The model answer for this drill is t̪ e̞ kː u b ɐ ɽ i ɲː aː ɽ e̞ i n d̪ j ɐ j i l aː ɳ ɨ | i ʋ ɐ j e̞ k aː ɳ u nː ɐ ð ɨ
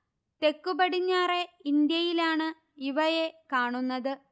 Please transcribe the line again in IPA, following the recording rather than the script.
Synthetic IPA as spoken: t̪ e̞ kː u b ɐ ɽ i ɲː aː r e̞ i n d̪ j ɐ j i l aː ɳ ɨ | i ʋ ɐ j e̞ k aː ɳ u nː ɐ ð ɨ